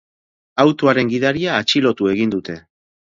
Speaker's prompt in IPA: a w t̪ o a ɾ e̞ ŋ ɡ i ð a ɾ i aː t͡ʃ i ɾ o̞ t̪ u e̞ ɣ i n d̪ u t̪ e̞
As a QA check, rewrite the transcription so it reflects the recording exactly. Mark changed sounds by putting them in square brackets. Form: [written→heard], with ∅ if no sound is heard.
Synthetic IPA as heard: a w t̪ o a ɾ e̞ ŋ ɡ i ð a ɾ i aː t͡ʃ i [ɾ→l] o̞ t̪ u e̞ ɣ i n d̪ u t̪ e̞